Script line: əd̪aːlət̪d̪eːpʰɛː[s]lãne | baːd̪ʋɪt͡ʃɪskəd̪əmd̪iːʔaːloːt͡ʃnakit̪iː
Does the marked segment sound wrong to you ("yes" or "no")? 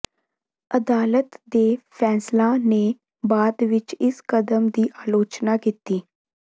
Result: no